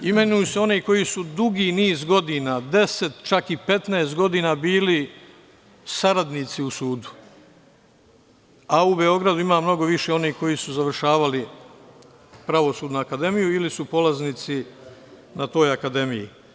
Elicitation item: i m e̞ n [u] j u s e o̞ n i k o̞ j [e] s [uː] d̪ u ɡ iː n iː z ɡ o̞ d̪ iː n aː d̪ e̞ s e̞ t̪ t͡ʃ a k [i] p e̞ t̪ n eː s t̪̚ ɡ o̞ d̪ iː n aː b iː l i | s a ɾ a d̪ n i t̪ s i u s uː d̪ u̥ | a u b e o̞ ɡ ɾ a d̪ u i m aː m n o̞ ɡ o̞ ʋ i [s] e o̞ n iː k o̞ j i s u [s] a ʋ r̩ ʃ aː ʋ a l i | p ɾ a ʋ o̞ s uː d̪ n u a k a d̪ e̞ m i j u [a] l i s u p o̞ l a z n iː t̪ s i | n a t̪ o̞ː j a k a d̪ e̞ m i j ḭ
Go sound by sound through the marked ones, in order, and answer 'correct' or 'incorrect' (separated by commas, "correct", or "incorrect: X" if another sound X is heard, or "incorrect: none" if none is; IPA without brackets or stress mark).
correct, incorrect: i, incorrect: u, correct, incorrect: ʃ, incorrect: z, incorrect: i